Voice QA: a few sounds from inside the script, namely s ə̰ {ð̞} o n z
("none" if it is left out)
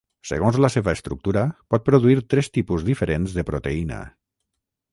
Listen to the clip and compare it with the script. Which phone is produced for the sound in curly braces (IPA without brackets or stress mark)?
ɣ̞